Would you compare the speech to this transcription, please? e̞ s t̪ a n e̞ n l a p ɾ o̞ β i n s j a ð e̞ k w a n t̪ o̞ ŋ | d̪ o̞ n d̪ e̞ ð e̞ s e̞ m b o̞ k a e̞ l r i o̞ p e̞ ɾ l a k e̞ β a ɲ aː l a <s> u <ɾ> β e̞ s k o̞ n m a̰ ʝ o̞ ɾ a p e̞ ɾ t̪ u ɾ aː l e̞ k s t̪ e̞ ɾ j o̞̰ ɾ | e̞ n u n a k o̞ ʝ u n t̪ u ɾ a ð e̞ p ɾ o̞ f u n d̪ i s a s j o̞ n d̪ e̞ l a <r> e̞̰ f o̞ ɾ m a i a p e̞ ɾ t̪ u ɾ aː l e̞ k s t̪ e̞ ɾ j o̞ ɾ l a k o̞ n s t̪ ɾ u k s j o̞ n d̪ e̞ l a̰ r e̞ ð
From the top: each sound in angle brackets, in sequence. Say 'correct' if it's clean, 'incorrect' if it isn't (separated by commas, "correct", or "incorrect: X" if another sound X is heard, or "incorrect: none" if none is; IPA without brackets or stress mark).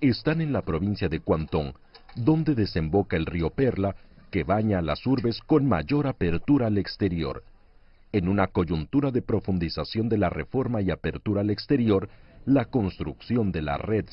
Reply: correct, correct, correct